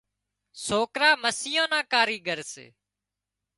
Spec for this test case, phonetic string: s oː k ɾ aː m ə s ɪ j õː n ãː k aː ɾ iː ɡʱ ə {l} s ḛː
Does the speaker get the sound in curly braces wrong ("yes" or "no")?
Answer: yes